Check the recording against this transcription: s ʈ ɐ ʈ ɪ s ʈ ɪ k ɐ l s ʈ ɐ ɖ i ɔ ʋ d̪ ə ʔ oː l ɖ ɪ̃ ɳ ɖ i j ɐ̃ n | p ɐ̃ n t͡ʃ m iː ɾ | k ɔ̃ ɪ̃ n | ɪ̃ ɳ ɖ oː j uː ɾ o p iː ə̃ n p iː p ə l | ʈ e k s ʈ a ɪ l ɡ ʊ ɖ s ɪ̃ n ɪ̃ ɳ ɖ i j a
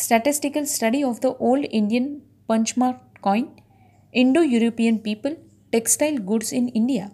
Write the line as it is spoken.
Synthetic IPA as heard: s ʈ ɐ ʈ ɪ s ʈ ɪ k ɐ l s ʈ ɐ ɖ i ɔ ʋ d̪ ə ʔ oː l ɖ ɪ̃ ɳ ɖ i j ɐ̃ n | p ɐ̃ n t͡ʃ m aː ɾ | k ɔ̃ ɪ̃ n | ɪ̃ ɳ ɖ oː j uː ɾ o p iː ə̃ n p iː p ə l | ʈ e k s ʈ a ɪ l ɡ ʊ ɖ s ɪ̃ n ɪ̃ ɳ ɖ i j a